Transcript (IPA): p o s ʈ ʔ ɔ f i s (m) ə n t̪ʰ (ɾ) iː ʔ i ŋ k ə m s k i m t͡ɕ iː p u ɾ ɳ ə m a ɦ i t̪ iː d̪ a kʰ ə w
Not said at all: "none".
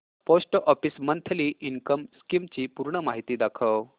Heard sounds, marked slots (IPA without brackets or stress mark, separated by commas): m, l